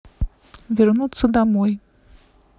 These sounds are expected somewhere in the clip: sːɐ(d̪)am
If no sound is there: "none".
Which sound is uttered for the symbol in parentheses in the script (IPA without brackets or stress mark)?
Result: d̪